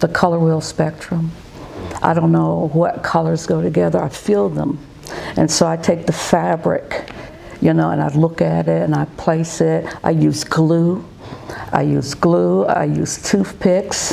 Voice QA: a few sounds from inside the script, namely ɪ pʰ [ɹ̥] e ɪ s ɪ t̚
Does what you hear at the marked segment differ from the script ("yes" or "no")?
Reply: yes